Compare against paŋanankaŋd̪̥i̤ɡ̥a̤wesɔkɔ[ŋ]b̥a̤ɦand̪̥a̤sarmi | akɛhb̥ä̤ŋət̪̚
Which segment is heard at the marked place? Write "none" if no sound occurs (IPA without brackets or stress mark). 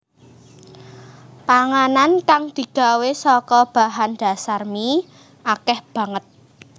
none